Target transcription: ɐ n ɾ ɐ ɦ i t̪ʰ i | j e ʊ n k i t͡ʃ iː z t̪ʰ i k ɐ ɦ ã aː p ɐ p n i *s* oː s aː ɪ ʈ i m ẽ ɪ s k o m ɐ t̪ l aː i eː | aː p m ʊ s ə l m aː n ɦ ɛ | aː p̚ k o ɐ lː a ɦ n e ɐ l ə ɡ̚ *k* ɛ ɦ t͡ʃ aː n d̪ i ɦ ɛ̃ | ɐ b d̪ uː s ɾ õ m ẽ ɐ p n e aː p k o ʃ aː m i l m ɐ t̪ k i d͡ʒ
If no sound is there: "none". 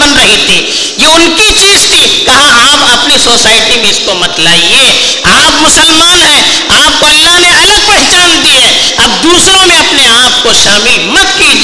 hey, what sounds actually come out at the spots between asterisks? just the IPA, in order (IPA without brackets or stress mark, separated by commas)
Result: s, p